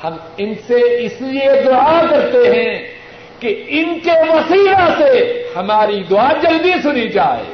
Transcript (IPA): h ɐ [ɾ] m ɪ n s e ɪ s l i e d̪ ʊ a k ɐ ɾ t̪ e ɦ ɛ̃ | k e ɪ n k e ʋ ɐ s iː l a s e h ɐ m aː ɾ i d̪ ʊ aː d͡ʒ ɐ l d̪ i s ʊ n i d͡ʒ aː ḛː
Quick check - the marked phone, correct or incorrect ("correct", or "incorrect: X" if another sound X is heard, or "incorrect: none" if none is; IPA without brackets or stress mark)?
incorrect: none